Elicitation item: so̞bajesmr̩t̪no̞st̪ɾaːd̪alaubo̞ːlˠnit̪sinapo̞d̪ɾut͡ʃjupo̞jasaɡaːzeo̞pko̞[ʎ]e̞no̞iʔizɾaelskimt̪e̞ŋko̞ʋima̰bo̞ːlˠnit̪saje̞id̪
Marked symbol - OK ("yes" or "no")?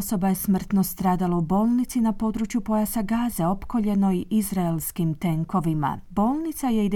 yes